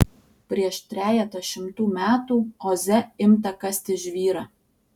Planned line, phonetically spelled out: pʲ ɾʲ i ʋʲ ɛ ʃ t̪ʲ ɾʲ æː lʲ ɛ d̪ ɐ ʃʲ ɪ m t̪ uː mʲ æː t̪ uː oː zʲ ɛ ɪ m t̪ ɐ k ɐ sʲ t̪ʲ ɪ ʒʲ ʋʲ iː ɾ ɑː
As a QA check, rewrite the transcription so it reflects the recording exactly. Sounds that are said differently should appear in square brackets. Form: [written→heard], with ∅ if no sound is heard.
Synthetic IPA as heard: pʲ ɾʲ i [ʋʲ→∅] ɛ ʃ t̪ʲ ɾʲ æː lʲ ɛ [d̪→t̪] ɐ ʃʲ ɪ m t̪ uː mʲ æː t̪ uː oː zʲ ɛ ɪ m t̪ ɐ k ɐ sʲ t̪ʲ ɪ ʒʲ ʋʲ iː ɾ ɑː